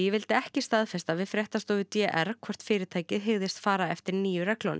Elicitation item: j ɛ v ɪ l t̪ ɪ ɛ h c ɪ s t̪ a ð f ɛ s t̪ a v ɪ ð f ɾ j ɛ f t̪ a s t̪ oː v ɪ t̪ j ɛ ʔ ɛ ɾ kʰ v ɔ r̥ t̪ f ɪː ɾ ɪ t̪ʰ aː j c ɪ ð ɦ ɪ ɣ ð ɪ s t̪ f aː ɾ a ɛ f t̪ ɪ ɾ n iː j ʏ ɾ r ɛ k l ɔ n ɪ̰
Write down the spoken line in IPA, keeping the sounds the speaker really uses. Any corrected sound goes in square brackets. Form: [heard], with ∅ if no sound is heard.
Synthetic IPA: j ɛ v ɪ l t̪ ɪ ɛ h c ɪ s t̪ a ð f ɛ s t̪ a v ɪ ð f ɾ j ɛ [h] t̪ a s t̪ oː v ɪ t̪ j ɛ ʔ ɛ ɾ kʰ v ɔ r̥ t̪ f ɪː ɾ ɪ t̪ʰ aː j c ɪ ð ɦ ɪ ɣ ð ɪ s t̪ f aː ɾ a ɛ f t̪ ɪ ɾ n iː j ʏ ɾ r ɛ k l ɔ n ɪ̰